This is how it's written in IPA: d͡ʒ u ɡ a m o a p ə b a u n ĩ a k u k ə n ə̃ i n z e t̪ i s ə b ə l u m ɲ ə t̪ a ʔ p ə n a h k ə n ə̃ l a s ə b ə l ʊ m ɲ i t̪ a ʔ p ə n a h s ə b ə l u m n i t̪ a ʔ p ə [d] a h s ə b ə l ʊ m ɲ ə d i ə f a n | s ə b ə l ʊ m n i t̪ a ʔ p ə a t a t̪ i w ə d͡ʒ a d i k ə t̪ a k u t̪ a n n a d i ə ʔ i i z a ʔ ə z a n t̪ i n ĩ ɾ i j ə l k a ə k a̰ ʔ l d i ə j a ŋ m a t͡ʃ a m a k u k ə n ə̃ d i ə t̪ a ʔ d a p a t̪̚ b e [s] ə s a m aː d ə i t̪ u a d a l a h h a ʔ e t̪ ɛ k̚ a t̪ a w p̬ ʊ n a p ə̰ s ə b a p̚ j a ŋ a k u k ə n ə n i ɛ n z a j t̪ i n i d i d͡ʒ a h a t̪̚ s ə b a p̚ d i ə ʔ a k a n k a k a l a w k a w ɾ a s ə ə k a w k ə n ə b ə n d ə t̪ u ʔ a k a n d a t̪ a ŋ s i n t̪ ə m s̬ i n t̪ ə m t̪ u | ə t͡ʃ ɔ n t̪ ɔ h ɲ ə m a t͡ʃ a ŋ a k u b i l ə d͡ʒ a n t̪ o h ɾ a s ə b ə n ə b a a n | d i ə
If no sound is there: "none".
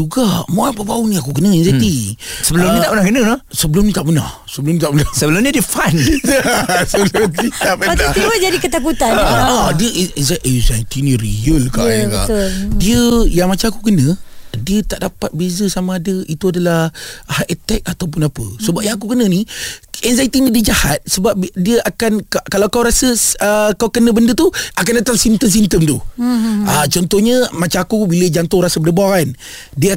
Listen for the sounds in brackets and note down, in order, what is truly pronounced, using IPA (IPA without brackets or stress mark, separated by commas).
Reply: n, z